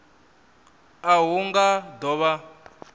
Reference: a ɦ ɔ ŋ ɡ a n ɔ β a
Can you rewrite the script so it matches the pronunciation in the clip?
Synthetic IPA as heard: a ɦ u ŋ ɡ a d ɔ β a

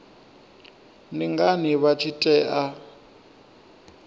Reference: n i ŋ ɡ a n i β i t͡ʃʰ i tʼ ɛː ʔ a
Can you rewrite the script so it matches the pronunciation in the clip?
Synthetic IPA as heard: n i ŋ ɡ a n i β a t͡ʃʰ i tʼ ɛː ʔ a

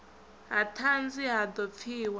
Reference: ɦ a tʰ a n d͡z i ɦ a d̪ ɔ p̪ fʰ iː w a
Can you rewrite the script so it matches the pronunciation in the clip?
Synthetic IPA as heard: ɦ a tʰ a n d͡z i ɦ a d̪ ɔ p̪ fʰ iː w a

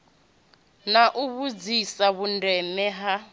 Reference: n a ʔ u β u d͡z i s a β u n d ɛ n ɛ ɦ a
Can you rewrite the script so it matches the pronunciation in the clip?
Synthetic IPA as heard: n a ʔ u β u d͡z i s a β u n d ɛ n ɛ ɦ a

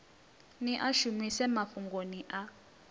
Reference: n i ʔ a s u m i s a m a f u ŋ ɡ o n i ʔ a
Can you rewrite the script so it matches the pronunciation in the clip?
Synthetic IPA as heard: n i ʔ a ʃ u m i s ɛ m a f u ŋ ɡ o n i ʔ a

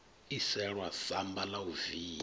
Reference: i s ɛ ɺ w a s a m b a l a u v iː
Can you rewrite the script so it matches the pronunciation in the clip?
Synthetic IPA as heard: i s ɛ ɺ w a s a m b a l a u v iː

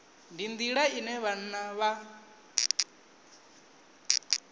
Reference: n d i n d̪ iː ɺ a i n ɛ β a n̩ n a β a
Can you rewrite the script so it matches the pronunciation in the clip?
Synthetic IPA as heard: n d i n d̪ i ɺ a i n ɛ β a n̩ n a β a

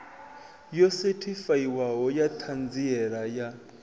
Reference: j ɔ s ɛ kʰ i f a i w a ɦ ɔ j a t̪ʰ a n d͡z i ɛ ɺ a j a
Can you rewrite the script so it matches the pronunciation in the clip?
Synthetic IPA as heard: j ɔ s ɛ tʰ i f a i w a ɦ ɔ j a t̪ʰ a n d͡z i ɛ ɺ a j a

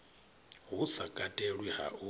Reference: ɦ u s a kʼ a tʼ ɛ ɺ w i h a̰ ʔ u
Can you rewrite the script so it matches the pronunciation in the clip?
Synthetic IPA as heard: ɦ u s a kʼ a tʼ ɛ ɺ w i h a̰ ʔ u

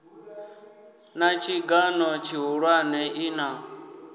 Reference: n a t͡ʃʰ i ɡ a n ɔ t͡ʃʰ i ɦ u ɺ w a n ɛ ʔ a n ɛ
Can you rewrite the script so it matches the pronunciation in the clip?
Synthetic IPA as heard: n a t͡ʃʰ i ɡ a n ɔ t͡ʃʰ i ɦ u ɺ w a n ɛ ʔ i n a

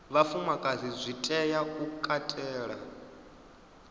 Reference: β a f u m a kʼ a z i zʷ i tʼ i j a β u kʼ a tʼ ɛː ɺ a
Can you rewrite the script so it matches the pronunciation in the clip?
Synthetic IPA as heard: β a f u m a kʼ a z i zʷ i tʼ ɛ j a u kʼ a tʼ ɛː ɺ a

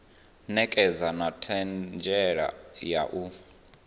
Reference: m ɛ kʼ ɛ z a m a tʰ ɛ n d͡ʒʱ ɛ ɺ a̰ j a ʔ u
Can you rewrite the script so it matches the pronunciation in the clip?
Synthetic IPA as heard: n ɛ kʼ ɛ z a n a tʰ ɛ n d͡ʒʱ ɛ ɺ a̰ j a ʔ u

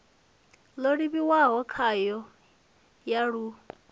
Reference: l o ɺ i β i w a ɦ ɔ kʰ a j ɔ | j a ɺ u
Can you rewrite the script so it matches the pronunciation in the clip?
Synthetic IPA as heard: l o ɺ i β i w a ɦ ɔ kʰ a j ɔ | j a ɺ u

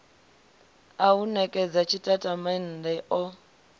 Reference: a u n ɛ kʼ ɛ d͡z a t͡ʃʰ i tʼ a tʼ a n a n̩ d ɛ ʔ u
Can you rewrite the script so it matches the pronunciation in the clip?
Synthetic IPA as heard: a u n ɛ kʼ ɛ d͡z a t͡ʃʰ i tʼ a tʼ a m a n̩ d ɛ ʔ ɔ

